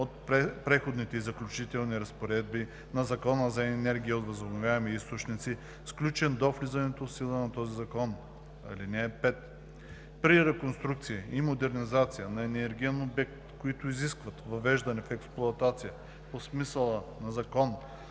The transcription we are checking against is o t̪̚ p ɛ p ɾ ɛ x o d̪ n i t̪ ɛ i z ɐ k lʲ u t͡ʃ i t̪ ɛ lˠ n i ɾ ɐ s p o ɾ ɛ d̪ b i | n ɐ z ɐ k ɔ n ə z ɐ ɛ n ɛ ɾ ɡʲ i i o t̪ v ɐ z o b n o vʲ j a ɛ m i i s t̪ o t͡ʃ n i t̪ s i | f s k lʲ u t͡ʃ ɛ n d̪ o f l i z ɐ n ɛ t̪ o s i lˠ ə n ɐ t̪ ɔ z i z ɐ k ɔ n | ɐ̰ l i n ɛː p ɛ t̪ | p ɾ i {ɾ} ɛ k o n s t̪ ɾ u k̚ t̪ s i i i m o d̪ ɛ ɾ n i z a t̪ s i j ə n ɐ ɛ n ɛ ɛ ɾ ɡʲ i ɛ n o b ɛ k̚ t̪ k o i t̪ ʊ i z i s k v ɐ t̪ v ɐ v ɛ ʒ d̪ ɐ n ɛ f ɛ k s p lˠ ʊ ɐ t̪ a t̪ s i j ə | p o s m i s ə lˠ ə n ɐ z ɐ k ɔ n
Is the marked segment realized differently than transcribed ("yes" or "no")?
no